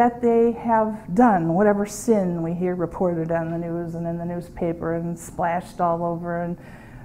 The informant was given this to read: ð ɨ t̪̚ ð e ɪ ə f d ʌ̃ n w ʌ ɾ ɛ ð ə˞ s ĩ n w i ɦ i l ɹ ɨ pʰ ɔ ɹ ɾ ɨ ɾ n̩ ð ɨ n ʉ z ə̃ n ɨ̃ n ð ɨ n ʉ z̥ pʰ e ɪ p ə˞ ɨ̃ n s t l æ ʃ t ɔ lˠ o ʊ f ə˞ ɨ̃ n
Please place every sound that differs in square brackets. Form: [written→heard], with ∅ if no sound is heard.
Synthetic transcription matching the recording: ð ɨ t̪̚ ð e ɪ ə [f→v] d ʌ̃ n w ʌ ɾ ɛ [ð→v] ə˞ s [ĩ→ɪ̃] n w i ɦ i [l→ɹ] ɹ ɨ pʰ ɔ ɹ ɾ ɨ ɾ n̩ ð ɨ n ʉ z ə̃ n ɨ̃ n ð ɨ n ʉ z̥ pʰ e ɪ p ə˞ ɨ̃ n s [t→p] l æ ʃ t ɔ lˠ o ʊ [f→v] ə˞ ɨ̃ n

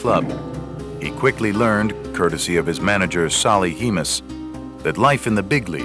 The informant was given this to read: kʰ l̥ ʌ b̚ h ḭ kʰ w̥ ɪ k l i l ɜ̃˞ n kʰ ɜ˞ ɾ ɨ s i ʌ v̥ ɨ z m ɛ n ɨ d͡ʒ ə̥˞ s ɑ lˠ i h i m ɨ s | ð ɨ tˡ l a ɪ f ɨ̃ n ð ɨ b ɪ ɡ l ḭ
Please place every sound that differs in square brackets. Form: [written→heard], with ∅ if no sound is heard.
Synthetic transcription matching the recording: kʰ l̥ ʌ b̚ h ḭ kʰ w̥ ɪ k l i l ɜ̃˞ n kʰ ɜ˞ ɾ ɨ s i ʌ v̥ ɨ z m [ɛ→æ] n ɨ d͡ʒ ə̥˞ s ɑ lˠ i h i m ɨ s | ð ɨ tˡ l a ɪ f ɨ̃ n ð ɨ b ɪ ɡ l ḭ

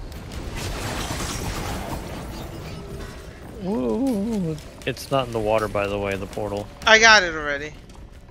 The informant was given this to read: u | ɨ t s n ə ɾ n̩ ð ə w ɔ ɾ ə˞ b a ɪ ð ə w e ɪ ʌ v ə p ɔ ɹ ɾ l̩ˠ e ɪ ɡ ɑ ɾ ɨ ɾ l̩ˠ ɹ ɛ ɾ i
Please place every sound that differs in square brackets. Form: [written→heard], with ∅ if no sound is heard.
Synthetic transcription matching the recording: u | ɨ t s n ə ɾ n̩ ð ə w ɔ ɾ ə˞ b a ɪ ð ə w e ɪ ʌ [v→ð] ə [p→pʰ] ɔ ɹ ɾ l̩ˠ [e→a] ɪ ɡ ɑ ɾ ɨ ɾ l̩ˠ ɹ ɛ ɾ i

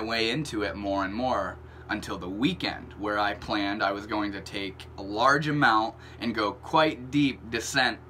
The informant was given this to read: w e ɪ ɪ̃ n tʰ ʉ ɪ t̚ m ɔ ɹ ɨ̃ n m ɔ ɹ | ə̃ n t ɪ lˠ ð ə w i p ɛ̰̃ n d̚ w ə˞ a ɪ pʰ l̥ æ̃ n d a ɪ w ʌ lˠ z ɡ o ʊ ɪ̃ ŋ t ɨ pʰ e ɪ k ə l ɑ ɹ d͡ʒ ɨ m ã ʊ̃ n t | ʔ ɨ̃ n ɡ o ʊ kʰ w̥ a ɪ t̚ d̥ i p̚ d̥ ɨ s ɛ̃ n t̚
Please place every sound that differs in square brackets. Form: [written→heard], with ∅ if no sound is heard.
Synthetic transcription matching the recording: w e ɪ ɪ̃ n tʰ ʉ ɪ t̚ m ɔ ɹ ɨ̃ n m ɔ ɹ | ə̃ n [t→tʰ] ɪ lˠ ð ə w i [p→k] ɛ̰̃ n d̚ w ə˞ a ɪ pʰ l̥ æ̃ n d a ɪ w ʌ [lˠ→∅] z ɡ o ʊ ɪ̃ ŋ t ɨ [pʰ→tʰ] e ɪ k ə l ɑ ɹ d͡ʒ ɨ m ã ʊ̃ n t | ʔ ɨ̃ n ɡ o ʊ kʰ w̥ a ɪ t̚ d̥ i p̚ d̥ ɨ s ɛ̃ n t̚

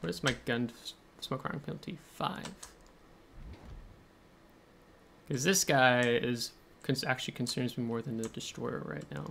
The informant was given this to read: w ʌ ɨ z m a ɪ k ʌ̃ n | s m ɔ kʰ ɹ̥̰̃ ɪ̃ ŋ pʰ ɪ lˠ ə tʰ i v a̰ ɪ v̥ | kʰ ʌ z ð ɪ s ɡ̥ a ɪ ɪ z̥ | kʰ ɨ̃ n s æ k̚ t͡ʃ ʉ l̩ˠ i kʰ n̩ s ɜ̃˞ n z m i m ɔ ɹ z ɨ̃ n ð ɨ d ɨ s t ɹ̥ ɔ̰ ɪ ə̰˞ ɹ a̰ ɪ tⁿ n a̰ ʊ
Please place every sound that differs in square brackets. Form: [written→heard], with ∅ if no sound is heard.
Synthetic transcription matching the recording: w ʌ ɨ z m a ɪ [k→ɡ] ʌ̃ n | s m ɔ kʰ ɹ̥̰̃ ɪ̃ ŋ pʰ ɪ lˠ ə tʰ i [v→f] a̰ ɪ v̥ | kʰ ʌ z ð ɪ s ɡ̥ a ɪ ɪ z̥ | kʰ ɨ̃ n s æ k̚ t͡ʃ ʉ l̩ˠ i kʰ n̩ s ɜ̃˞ n z m i m ɔ ɹ [z→ð] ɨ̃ n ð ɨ d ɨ s t ɹ̥ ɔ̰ ɪ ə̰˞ ɹ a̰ ɪ tⁿ n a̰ ʊ

